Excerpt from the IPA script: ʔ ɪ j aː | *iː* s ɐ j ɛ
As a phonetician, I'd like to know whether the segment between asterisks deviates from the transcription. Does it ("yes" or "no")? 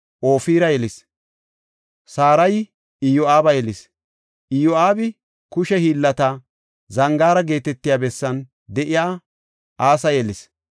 yes